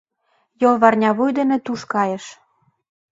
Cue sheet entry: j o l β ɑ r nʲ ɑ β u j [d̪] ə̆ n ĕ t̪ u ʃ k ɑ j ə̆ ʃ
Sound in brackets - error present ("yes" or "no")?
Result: no